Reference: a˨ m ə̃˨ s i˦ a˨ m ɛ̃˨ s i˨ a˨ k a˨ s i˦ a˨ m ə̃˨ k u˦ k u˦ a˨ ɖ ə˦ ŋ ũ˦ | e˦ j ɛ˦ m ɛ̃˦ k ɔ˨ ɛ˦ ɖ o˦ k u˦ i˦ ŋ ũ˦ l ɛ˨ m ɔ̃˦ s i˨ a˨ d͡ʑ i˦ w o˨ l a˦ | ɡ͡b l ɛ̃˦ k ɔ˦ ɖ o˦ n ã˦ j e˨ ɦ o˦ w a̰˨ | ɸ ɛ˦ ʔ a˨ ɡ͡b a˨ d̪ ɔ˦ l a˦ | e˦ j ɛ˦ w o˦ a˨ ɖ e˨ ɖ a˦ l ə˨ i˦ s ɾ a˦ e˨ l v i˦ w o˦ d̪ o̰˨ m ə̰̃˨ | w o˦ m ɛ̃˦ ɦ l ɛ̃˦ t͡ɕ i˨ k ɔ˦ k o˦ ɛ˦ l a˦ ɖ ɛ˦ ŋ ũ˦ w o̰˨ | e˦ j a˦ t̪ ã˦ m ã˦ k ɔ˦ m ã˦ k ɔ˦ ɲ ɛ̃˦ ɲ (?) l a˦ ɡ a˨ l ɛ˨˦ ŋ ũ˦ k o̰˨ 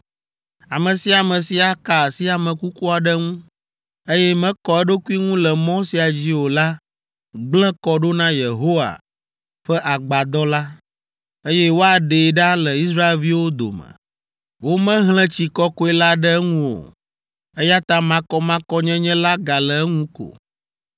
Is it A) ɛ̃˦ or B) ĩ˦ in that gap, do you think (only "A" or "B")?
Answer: A